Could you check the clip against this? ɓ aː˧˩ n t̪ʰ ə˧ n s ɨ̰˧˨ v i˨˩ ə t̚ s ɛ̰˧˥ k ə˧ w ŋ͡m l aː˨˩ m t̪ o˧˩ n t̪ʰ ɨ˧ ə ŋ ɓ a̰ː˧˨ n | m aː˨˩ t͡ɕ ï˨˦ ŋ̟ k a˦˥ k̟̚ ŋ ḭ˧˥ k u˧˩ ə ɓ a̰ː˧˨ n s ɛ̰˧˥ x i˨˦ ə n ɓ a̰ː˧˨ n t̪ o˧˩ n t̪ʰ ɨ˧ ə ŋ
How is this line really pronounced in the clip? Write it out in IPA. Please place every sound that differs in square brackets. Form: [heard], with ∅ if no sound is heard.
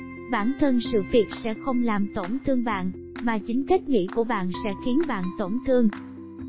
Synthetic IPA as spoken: ɓ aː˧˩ n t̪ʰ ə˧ n s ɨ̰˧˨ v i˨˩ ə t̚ s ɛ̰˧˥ [x] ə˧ w ŋ͡m l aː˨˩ m t̪ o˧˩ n t̪ʰ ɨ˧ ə ŋ ɓ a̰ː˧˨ n | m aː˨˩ t͡ɕ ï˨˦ ŋ̟ k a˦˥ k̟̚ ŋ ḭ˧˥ k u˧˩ ə ɓ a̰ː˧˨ n s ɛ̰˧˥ x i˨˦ ə n ɓ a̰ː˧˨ n t̪ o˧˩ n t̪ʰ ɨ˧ ə ŋ